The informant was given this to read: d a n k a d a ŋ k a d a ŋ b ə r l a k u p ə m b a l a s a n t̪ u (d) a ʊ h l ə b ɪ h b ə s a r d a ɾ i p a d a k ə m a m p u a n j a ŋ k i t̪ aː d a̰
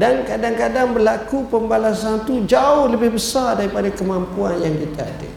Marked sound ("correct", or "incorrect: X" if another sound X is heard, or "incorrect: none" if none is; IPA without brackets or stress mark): incorrect: d͡ʒ